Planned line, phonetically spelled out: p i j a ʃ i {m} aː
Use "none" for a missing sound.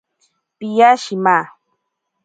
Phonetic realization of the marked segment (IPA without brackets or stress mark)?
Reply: m